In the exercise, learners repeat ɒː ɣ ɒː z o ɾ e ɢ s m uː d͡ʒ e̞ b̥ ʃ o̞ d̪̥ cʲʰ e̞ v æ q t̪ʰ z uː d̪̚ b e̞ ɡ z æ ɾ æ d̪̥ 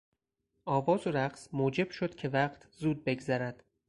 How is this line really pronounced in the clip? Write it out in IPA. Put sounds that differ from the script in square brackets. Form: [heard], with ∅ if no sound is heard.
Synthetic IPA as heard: ɒː [v] ɒː z o ɾ [æ] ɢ s m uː d͡ʒ e̞ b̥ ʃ o̞ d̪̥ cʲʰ e̞ v æ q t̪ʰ z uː d̪̚ b e̞ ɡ z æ ɾ æ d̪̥